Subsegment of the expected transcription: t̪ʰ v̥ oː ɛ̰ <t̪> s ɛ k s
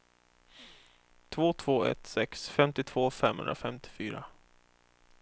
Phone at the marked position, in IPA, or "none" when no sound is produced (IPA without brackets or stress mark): t̪